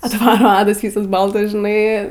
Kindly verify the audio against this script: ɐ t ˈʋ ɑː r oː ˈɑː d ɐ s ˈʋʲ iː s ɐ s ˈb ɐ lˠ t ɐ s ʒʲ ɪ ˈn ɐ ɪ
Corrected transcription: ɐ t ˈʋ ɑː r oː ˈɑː d ɐ s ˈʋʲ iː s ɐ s ˈb ɐ lˠ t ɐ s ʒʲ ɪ ˈn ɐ ɪ